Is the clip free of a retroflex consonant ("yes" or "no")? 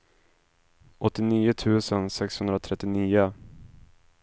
yes